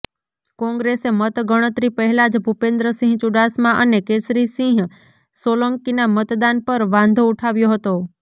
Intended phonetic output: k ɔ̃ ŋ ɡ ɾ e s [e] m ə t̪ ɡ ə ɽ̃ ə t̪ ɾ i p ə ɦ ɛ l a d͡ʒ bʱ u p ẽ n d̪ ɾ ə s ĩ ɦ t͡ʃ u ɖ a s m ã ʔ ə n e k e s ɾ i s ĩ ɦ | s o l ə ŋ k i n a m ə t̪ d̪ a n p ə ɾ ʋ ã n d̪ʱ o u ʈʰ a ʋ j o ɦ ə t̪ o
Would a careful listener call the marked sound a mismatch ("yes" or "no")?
no